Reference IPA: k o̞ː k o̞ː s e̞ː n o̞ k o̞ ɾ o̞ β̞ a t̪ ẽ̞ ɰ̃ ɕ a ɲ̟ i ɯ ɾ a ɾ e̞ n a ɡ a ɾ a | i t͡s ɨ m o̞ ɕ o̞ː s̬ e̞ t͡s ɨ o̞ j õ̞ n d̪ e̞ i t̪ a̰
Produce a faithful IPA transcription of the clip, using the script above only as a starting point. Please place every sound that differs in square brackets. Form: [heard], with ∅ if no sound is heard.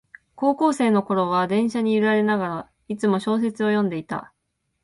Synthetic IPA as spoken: k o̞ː k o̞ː s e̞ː n o̞ k o̞ ɾ o̞ β̞ a [d̪] ẽ̞ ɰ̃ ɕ a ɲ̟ i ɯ ɾ a ɾ e̞ n a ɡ a ɾ a | i t͡s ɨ m o̞ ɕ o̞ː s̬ e̞ t͡s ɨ o̞ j õ̞ n d̪ e̞ i t̪ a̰